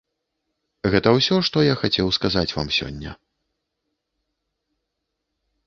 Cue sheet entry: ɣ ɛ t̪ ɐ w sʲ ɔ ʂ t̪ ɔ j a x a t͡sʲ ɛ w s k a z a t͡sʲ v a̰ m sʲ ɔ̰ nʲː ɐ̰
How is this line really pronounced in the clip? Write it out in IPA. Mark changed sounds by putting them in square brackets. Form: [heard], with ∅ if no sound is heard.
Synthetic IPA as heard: ɣ ɛ t̪ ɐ w sʲ ɔ ʂ t̪ ɔ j a x a t͡sʲ ɛ w s k a z a t͡sʲ v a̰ m sʲ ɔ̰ nʲː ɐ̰

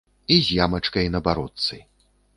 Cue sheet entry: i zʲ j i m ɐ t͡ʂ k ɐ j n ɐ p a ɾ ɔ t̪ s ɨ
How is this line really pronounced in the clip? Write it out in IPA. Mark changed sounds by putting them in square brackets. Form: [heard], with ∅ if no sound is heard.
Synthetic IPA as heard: i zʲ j [a] m ɐ t͡ʂ k ɐ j n ɐ [b] a ɾ ɔ t̪ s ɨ

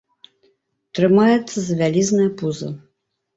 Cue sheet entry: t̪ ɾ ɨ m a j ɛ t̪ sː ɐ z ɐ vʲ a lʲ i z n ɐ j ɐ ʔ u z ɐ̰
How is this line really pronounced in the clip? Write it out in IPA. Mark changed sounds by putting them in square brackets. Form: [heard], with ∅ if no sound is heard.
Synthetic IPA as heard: t̪ ɾ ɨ m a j ɛ t̪ sː ɐ z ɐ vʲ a lʲ i z n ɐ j ɐ [p] u z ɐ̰

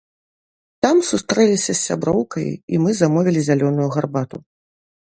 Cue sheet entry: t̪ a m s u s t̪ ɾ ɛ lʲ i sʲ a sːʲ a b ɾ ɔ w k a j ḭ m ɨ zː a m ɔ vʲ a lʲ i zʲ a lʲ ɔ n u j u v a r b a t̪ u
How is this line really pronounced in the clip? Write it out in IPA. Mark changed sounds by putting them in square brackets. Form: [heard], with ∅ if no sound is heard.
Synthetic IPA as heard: t̪ a m s u s t̪ ɾ ɛ lʲ i sʲ [ɐ] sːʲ a b ɾ ɔ w k [ɐ] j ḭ m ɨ [z] a m ɔ vʲ [i] lʲ i zʲ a lʲ ɔ n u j u [ɣ] a r b a t̪ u

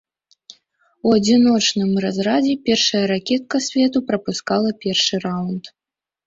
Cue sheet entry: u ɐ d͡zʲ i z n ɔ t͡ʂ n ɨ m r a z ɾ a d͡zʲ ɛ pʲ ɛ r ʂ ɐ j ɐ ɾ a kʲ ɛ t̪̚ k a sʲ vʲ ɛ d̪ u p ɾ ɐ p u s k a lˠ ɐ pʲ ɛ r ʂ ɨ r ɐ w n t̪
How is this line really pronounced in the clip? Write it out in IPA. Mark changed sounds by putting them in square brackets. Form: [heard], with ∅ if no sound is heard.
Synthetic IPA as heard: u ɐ d͡zʲ i [∅] n ɔ t͡ʂ n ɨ m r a z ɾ a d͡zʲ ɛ pʲ ɛ r ʂ ɐ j ɐ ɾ a kʲ ɛ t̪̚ k [ɐ] sʲ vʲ ɛ [t̪] u p ɾ ɐ p u s k a lˠ ɐ pʲ ɛ r ʂ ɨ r [a] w n t̪

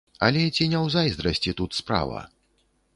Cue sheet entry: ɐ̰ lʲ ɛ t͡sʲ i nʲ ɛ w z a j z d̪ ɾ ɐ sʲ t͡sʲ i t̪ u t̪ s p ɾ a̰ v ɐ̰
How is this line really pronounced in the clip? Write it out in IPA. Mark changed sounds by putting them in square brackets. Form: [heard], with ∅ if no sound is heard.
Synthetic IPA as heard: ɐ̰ lʲ ɛ t͡sʲ i nʲ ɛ w z a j z d̪ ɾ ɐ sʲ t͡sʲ i t̪ u t̪ s p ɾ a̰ v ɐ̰

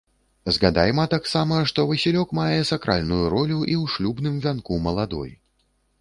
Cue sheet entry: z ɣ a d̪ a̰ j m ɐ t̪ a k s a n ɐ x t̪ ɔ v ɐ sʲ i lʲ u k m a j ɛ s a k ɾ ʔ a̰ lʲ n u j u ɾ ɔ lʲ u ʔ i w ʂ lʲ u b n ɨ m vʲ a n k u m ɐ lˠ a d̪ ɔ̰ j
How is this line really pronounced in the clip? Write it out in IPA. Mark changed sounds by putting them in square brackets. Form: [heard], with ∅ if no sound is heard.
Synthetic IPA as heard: z ɣ a d̪ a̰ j m ɐ t̪ a k s a [m] ɐ [ʂ] t̪ ɔ v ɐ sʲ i lʲ [ɔ] k m a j ɛ s a k ɾ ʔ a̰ lʲ n u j u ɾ ɔ lʲ u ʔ i w ʂ lʲ u b n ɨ m vʲ a n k u m ɐ lˠ a d̪ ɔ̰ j

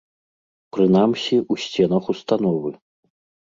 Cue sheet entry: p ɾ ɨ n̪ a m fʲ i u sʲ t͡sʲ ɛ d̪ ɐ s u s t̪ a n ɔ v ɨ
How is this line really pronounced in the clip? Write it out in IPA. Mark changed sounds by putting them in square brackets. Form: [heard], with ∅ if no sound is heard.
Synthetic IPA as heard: p ɾ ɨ n̪ a m [sʲ] i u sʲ t͡sʲ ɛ [n̪] ɐ [x] u s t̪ a n ɔ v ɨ

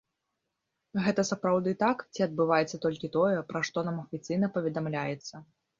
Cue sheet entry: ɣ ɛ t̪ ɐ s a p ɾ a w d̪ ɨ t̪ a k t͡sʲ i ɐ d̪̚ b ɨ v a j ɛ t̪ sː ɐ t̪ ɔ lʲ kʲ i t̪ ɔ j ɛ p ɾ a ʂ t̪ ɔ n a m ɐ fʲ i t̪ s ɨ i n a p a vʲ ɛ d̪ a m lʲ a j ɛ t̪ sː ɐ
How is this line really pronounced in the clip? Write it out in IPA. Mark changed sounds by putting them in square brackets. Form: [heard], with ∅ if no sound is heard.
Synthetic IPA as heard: ɣ ɛ t̪ ɐ s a p ɾ a w d̪ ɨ t̪ a k t͡sʲ i ɐ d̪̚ b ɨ v a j ɛ t̪ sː ɐ t̪ ɔ lʲ kʲ i t̪ ɔ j ɛ p ɾ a ʂ t̪ ɔ n a m ɐ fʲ i t̪ s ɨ [j] n [ɐ] p [ɐ] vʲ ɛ d̪ a m lʲ a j ɛ t̪ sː ɐ

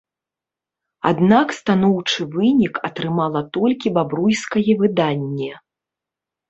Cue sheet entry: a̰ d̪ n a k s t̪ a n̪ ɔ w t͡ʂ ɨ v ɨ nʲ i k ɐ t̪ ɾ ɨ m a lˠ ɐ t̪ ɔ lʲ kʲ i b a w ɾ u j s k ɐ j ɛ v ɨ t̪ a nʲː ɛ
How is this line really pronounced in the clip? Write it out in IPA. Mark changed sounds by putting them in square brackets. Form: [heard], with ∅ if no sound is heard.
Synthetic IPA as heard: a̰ d̪ n a k s t̪ a n̪ ɔ w t͡ʂ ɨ v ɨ nʲ i k ɐ t̪ ɾ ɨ m a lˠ ɐ t̪ ɔ lʲ kʲ i b a [b] ɾ u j s k ɐ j ɛ v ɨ [d̪] a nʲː ɛ

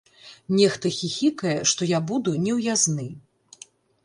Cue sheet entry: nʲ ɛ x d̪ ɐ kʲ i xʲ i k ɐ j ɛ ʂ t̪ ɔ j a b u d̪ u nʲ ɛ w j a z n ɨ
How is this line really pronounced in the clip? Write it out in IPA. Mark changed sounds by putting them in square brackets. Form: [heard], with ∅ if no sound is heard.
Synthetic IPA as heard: nʲ ɛ x [t̪] ɐ [xʲ] i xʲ i k ɐ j ɛ ʂ t̪ ɔ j a b u d̪ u nʲ ɛ w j a z n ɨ

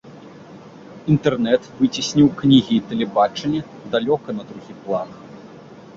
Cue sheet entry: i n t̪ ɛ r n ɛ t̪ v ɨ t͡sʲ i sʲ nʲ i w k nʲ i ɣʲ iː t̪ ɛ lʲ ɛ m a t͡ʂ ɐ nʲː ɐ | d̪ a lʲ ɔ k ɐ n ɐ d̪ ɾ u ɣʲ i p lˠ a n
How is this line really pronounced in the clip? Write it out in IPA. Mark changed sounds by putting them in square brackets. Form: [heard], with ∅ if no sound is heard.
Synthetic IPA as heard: i n t̪ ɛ r n ɛ t̪ v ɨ t͡sʲ i sʲ nʲ i w k nʲ i ɣʲ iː t̪ ɛ lʲ ɛ [b] a t͡ʂ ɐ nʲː ɐ | d̪ a lʲ ɔ k ɐ n ɐ d̪ ɾ u ɣʲ i p lˠ a n

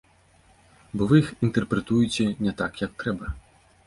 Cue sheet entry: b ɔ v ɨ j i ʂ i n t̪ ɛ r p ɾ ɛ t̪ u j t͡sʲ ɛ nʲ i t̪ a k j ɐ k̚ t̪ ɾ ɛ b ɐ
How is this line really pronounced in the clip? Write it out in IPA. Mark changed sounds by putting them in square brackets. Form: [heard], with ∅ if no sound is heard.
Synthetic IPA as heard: b ɔ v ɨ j i [x] i n t̪ ɛ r p ɾ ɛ t̪ u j t͡sʲ ɛ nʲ [ɛ] t̪ a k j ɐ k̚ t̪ ɾ ɛ b ɐ

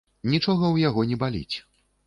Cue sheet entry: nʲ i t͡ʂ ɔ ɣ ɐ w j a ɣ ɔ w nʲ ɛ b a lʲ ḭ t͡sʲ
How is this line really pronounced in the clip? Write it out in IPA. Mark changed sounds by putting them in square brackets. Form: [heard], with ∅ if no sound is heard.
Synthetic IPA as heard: nʲ i t͡ʂ ɔ ɣ ɐ w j a ɣ ɔ [∅] nʲ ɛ b a lʲ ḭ t͡sʲ

